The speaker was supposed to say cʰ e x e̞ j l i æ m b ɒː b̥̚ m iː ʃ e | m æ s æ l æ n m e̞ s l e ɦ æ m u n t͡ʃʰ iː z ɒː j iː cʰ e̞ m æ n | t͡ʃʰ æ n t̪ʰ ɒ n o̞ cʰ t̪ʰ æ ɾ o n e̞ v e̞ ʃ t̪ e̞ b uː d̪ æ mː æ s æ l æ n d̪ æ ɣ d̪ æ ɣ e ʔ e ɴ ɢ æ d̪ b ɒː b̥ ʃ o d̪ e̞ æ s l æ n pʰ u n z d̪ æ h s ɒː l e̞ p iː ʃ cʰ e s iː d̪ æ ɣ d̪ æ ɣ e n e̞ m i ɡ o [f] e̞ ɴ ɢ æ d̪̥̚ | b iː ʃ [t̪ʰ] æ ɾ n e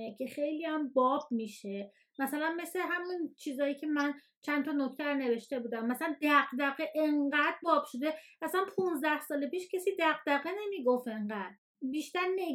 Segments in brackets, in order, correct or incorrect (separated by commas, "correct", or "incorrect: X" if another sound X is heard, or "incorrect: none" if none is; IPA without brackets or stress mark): correct, incorrect: t̪